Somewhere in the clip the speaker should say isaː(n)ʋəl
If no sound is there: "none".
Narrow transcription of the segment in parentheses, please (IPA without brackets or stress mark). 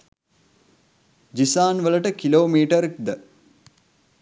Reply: n